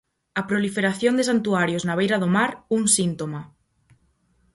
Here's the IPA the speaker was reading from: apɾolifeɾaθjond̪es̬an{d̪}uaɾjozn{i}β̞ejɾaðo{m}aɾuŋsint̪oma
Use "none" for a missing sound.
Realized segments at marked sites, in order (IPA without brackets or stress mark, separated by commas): t̪, a, m